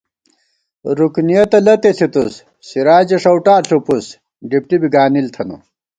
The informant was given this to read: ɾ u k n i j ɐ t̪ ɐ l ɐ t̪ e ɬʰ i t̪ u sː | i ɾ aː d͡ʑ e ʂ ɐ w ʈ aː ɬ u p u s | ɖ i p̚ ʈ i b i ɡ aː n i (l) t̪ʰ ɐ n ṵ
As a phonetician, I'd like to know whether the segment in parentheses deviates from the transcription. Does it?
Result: no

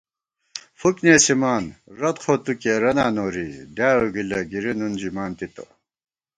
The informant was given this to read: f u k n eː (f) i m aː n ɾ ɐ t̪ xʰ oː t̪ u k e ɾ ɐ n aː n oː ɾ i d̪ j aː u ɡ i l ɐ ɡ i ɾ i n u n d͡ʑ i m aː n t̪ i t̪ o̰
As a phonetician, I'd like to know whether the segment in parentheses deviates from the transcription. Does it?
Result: yes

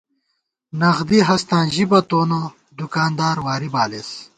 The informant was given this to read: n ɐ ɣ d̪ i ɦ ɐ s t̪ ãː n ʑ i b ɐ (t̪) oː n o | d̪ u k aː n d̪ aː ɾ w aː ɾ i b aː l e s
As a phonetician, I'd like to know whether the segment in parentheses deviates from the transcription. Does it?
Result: no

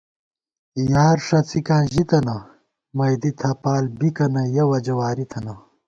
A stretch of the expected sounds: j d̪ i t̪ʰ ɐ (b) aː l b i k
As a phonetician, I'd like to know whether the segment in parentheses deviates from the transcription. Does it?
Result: yes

